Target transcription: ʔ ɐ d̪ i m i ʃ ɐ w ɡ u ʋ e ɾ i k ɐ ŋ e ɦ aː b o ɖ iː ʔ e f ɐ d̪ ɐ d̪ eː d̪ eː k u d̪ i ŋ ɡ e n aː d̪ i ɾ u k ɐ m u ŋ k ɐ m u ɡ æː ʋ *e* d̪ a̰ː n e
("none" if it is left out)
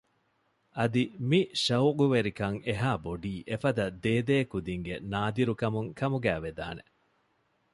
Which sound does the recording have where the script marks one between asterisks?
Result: e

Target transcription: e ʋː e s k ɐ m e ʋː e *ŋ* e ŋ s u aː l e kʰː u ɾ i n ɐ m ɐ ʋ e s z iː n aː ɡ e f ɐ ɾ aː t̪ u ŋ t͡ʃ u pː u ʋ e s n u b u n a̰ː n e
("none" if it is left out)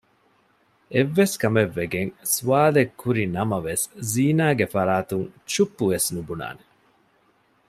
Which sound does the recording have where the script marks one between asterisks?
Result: ɡ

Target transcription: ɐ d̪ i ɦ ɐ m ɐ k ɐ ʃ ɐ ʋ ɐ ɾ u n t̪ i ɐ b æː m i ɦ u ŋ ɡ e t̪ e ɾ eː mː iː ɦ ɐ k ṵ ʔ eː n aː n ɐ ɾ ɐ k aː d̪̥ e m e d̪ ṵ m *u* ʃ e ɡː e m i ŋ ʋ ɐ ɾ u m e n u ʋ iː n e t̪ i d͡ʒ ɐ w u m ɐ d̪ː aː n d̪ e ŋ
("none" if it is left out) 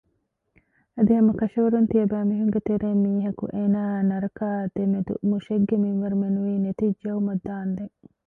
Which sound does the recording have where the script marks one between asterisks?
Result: u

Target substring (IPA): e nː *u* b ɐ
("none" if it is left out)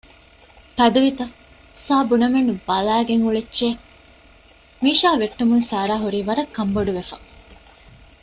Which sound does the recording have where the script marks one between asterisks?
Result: u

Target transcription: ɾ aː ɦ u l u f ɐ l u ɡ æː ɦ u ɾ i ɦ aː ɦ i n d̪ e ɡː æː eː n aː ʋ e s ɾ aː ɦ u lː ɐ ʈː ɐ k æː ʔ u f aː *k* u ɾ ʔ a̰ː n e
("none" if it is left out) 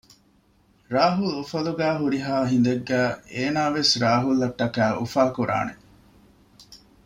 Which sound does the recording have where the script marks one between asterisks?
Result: k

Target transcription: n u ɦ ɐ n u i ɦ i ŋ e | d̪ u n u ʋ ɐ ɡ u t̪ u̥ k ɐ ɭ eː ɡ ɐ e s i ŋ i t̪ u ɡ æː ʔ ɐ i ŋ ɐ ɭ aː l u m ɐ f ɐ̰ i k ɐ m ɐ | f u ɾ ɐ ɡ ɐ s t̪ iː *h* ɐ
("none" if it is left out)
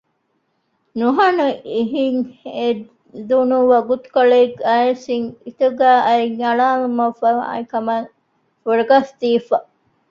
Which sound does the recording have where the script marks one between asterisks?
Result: f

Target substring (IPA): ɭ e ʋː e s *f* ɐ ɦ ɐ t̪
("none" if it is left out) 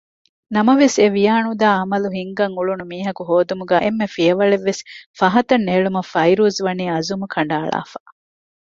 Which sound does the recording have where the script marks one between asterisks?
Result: f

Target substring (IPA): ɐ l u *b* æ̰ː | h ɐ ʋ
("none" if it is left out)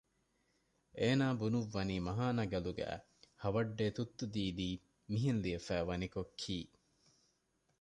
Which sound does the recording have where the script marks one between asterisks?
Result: ɡ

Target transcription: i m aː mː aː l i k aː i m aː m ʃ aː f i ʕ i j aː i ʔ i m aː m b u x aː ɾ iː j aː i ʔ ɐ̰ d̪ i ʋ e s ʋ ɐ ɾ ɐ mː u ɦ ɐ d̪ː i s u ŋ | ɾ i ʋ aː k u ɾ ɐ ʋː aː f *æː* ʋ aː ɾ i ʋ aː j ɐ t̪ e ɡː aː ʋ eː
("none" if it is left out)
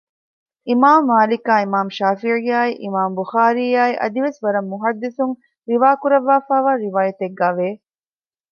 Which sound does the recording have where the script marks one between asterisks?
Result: aː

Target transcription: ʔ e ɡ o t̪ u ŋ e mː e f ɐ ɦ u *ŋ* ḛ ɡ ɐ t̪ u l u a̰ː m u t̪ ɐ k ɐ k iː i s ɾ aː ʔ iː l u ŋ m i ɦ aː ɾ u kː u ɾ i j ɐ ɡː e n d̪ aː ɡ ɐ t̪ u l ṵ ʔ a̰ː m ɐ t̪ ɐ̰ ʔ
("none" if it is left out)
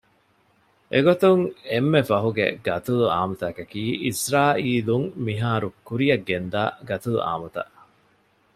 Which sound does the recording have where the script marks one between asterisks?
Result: ɡ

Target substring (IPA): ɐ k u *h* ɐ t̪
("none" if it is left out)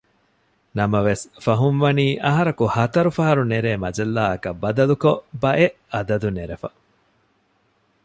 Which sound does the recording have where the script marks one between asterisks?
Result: h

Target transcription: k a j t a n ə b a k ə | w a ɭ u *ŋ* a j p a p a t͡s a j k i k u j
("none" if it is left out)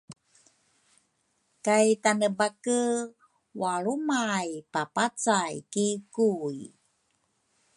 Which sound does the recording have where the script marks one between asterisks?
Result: m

